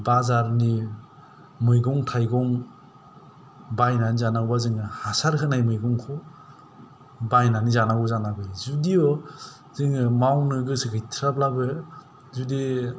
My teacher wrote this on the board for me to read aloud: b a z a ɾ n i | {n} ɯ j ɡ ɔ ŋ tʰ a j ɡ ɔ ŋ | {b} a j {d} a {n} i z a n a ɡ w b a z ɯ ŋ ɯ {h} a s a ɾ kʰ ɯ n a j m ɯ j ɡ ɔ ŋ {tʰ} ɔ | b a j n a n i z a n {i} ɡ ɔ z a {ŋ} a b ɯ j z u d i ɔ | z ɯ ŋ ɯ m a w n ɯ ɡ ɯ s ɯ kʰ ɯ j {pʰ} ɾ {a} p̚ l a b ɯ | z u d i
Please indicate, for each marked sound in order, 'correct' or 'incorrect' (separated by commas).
incorrect, correct, incorrect, correct, correct, incorrect, incorrect, incorrect, incorrect, correct